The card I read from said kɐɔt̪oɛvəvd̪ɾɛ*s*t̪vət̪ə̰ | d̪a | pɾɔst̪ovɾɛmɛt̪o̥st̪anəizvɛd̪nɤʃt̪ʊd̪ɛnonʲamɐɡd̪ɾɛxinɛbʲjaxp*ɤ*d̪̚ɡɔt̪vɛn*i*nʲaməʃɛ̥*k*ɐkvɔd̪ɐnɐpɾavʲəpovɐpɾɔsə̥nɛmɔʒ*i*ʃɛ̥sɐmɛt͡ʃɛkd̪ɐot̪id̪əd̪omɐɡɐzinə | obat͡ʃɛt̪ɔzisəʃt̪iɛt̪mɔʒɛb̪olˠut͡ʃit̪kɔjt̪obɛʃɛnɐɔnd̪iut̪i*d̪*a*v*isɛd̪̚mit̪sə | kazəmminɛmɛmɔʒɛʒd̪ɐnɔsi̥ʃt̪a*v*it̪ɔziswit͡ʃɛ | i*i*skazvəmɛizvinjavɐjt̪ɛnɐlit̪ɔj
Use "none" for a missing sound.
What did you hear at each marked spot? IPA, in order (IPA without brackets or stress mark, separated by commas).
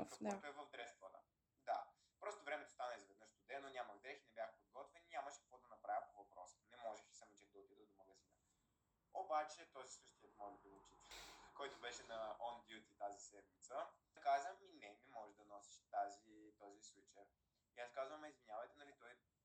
s, o, i, k, ɛ, t̪, z, z, a